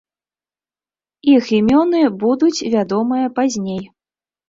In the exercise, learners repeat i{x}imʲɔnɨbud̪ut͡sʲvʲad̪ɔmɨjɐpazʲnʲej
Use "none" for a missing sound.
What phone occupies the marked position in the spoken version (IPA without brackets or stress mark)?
x